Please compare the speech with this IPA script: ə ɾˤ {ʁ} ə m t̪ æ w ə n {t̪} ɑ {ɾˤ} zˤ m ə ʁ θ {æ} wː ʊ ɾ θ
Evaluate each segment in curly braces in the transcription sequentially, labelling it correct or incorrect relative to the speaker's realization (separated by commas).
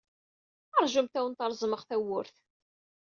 incorrect, correct, correct, correct